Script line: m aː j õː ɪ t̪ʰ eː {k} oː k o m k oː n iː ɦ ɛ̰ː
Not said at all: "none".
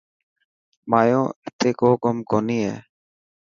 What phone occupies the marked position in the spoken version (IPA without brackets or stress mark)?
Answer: k